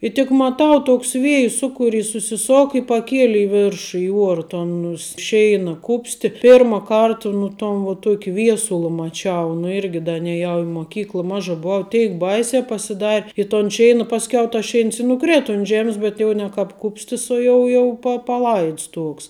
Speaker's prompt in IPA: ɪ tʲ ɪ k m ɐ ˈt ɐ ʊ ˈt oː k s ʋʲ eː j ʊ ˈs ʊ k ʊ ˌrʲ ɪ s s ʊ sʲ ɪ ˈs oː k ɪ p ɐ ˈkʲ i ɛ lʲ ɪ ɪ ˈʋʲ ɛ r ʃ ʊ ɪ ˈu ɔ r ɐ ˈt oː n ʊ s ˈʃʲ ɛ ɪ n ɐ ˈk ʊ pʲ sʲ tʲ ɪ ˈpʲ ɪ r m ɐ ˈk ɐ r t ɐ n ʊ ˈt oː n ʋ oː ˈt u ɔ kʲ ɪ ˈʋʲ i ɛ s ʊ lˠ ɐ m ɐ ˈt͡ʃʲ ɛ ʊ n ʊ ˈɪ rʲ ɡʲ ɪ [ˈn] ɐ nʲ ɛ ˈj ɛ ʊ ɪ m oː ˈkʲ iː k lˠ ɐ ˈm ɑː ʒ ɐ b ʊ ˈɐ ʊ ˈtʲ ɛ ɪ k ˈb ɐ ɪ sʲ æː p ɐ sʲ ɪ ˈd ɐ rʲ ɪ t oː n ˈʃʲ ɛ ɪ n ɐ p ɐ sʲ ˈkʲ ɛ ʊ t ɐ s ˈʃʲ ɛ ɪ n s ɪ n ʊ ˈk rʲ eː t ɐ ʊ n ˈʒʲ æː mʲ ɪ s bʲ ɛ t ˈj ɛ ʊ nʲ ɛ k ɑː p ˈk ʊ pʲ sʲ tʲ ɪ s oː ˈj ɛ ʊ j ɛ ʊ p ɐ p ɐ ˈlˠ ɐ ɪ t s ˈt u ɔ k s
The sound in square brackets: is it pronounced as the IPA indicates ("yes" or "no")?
no